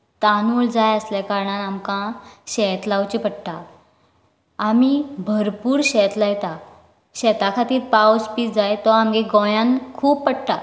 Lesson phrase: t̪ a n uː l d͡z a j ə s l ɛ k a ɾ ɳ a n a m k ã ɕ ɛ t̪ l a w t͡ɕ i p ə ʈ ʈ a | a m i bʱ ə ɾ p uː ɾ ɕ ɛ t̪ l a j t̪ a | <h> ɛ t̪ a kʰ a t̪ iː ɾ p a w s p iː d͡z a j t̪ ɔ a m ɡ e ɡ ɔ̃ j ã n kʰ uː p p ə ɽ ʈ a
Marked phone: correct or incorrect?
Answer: incorrect